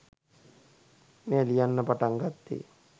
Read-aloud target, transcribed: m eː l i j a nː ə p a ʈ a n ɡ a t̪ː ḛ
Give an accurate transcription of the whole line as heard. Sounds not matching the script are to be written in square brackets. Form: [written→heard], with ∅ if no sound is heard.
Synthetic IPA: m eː l i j a nː ə p a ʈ a [n→ŋ] ɡ a t̪ː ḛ